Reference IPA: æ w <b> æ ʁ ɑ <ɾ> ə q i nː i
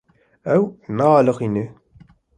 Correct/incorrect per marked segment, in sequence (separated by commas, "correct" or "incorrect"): incorrect, incorrect